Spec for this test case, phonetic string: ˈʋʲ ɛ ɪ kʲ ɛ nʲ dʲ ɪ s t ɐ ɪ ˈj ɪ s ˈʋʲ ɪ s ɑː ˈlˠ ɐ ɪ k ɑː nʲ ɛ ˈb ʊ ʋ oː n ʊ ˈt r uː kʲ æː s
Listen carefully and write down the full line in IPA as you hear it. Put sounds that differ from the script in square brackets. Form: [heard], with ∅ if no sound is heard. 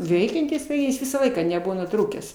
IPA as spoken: ˈʋʲ ɛ ɪ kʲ ɛ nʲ [tʲ] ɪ s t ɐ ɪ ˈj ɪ s ˈʋʲ ɪ s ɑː ˈlˠ ɐ ɪ k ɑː nʲ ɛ ˈb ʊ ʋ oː n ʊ ˈt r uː kʲ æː s